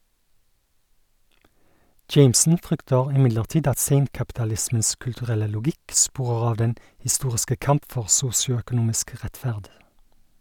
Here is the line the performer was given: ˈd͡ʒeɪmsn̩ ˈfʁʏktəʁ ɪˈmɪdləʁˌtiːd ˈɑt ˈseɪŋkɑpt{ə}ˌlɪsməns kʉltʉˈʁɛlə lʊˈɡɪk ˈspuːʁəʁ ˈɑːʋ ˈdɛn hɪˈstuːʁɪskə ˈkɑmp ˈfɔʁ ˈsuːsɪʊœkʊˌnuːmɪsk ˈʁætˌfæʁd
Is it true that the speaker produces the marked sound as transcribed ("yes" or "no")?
no